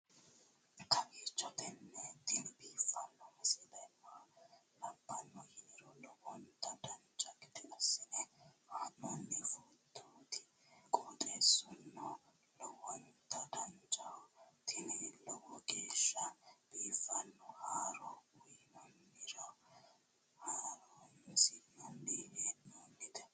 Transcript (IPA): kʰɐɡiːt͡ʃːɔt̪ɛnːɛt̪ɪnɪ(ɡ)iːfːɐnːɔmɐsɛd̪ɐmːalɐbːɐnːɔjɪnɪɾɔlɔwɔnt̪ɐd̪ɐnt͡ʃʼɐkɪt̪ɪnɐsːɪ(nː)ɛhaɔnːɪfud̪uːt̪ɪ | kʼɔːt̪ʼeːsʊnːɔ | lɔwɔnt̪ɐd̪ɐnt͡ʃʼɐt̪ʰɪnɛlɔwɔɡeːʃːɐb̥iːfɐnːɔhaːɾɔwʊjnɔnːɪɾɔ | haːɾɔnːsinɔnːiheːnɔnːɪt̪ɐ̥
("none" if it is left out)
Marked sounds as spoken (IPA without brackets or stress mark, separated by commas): b, n